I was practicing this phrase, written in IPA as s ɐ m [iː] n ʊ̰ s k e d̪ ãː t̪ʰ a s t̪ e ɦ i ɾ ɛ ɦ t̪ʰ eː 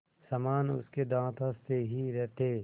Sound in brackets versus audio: incorrect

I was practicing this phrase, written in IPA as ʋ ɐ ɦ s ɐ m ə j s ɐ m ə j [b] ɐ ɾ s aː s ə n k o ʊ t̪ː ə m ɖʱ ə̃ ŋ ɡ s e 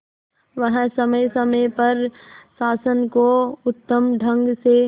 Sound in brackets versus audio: incorrect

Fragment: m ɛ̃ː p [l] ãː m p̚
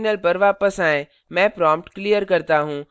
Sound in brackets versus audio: incorrect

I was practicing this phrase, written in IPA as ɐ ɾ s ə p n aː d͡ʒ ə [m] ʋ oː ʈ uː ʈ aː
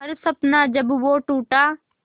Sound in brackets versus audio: incorrect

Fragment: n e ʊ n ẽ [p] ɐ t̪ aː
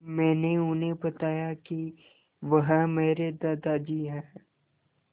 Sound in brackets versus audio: incorrect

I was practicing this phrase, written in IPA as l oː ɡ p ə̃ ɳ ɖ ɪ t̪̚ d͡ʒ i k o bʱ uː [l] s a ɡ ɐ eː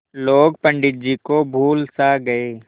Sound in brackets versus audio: correct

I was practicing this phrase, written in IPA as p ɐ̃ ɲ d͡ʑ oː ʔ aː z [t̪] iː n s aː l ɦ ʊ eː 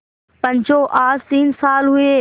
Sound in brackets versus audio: correct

